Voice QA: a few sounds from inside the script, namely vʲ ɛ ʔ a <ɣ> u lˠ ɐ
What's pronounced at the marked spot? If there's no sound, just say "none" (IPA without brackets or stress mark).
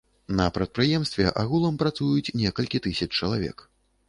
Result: ɣ